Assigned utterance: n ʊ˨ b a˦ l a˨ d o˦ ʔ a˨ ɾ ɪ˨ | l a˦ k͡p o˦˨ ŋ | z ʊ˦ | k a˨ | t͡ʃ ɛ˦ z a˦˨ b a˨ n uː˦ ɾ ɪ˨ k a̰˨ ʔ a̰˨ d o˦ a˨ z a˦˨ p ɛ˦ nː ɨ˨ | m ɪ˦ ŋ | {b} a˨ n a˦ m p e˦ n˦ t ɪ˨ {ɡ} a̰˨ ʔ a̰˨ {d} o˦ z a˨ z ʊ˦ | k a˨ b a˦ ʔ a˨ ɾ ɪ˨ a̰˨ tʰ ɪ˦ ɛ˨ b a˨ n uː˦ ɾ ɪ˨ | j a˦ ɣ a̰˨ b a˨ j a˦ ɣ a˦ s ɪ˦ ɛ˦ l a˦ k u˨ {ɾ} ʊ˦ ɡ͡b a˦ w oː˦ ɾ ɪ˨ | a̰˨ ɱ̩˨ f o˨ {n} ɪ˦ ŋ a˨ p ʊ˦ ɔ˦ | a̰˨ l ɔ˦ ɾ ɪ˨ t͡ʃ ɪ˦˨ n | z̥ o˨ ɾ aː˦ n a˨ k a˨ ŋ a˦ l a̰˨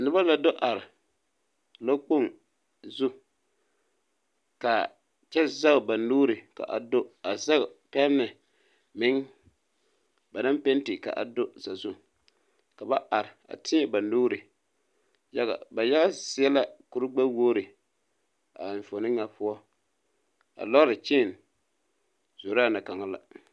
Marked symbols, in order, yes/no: yes, no, yes, yes, yes

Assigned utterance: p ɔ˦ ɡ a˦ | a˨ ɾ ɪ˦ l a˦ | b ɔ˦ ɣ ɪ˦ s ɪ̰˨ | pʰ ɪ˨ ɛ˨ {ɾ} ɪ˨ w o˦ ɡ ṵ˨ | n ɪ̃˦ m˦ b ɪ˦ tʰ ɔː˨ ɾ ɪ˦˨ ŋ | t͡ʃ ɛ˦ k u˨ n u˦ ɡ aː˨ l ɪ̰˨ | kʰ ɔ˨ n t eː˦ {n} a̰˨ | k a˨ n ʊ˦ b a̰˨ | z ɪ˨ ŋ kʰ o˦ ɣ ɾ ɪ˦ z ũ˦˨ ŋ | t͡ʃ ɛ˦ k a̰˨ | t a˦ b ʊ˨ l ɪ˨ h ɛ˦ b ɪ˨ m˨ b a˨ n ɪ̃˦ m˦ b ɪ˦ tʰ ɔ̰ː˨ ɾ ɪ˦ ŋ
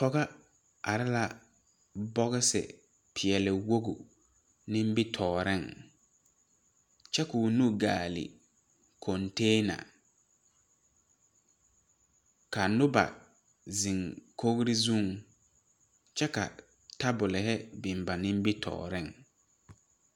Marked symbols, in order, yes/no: no, yes

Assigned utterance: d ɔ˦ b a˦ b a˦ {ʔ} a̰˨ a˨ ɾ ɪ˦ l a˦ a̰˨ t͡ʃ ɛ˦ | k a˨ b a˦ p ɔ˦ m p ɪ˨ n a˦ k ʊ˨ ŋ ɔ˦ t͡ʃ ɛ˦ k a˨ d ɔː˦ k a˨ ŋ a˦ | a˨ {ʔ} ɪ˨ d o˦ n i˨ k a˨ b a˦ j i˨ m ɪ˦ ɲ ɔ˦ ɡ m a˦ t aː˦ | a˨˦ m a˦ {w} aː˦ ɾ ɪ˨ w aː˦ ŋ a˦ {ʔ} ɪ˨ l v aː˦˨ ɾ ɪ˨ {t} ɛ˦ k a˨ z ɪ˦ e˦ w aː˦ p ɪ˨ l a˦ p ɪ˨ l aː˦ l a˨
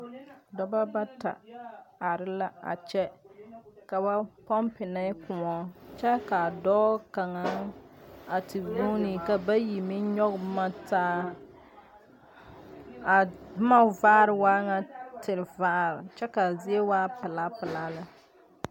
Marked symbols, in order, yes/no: no, no, no, no, no

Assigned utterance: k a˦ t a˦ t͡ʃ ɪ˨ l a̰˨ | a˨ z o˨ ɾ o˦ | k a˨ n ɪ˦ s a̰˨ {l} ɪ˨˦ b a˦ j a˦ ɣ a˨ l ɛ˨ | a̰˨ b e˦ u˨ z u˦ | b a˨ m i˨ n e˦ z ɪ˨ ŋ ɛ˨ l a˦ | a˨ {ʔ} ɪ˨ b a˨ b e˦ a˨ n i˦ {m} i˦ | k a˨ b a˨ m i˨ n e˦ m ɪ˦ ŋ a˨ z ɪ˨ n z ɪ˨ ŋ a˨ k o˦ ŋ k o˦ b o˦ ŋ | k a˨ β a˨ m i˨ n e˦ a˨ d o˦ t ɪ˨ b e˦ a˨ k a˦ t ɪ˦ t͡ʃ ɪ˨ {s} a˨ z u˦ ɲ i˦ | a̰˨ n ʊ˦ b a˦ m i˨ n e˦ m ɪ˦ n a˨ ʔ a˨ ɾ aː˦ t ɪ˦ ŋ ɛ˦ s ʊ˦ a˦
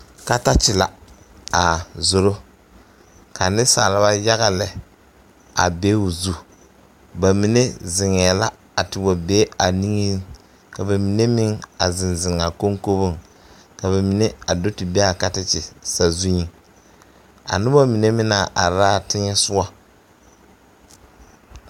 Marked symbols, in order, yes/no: yes, no, no, yes

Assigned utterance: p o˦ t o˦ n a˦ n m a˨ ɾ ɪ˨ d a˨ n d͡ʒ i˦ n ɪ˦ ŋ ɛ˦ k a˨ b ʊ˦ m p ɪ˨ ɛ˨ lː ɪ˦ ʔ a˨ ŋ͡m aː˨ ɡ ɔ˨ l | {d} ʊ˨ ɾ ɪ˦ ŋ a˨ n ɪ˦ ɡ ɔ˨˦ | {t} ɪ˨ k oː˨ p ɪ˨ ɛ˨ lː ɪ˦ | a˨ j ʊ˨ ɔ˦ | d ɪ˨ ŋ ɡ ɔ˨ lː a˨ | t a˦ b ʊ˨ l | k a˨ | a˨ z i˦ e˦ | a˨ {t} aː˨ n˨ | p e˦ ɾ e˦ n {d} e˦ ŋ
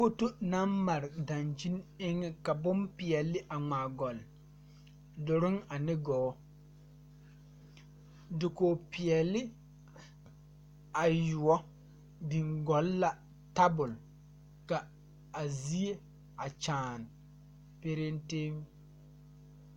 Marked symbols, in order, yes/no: yes, no, no, no

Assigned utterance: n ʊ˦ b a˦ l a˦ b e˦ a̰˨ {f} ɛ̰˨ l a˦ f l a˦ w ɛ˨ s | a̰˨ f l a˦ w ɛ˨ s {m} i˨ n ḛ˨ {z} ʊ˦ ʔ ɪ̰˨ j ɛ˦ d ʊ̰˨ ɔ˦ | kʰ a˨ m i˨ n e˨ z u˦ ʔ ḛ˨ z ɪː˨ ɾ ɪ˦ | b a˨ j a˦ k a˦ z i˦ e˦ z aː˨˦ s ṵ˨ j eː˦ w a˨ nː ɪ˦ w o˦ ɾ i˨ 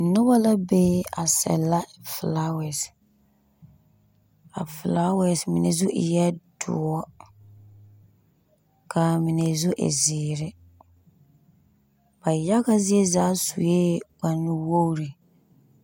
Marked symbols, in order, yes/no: no, yes, yes

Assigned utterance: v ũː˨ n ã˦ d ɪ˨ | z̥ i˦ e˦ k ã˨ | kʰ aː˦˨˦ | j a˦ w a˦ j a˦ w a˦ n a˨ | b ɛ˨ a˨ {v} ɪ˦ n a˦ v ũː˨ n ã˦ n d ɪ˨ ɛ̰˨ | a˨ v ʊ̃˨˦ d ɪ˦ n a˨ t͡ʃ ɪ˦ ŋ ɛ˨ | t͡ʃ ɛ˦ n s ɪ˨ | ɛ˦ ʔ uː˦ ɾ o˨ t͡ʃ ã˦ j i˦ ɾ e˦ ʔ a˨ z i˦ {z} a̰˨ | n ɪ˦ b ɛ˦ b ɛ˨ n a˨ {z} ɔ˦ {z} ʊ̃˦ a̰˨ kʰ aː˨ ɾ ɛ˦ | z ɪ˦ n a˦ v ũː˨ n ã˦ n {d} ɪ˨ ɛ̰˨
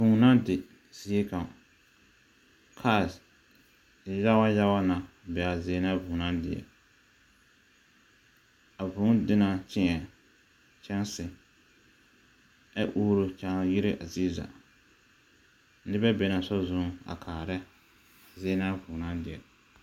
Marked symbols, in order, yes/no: no, yes, no, yes, yes

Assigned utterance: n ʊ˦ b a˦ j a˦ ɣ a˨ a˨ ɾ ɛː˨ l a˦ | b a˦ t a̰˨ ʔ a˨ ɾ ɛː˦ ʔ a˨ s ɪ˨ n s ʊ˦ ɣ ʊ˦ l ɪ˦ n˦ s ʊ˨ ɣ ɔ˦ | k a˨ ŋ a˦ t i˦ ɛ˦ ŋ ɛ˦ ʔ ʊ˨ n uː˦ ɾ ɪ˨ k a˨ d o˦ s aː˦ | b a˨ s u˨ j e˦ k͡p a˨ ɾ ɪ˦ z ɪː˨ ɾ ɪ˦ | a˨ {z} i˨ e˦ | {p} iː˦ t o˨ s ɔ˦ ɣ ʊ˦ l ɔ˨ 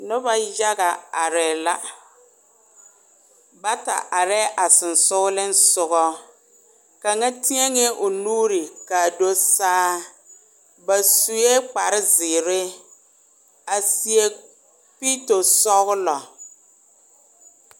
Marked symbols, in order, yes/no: no, yes

